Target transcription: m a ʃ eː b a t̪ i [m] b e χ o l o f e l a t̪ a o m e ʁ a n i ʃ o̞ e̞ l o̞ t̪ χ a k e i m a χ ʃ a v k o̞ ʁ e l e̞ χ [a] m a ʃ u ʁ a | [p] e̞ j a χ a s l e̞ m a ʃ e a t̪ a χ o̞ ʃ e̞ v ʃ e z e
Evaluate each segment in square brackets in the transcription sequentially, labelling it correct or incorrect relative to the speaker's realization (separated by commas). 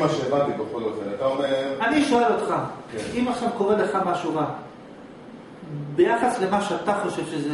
incorrect, correct, incorrect